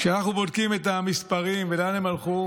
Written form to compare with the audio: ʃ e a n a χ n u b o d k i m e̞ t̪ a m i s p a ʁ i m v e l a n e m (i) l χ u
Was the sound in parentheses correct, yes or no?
no